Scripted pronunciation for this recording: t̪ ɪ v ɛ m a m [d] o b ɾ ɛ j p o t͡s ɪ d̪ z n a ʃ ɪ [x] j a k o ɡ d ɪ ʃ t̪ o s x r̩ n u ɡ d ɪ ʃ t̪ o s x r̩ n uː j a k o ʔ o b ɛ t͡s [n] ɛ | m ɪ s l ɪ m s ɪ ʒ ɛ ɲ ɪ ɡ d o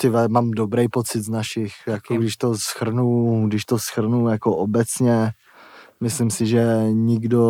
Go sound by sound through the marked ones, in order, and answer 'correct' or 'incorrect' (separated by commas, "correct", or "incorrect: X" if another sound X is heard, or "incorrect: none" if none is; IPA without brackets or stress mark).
correct, correct, incorrect: ɲ